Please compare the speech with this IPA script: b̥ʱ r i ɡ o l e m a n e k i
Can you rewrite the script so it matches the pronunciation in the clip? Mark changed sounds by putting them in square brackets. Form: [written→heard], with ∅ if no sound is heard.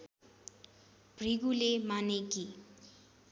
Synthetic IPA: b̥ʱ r i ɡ [o→u] l e m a n e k i